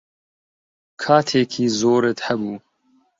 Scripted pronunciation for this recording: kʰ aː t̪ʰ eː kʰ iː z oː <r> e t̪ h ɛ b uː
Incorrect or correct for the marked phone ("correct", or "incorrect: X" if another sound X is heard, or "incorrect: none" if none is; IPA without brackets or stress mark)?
incorrect: ɾ